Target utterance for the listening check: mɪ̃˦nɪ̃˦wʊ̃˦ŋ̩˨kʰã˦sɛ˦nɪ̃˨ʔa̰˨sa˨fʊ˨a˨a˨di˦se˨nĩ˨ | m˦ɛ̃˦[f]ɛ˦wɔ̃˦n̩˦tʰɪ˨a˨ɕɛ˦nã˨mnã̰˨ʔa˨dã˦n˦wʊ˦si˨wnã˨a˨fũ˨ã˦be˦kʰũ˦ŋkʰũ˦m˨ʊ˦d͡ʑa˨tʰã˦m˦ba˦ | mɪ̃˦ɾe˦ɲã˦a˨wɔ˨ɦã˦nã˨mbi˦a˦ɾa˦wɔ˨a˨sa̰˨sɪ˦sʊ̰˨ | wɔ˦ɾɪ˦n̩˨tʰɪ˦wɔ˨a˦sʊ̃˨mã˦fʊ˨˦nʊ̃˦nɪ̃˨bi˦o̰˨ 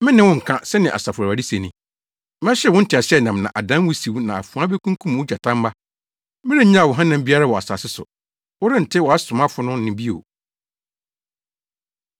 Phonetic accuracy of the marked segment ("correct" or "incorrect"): incorrect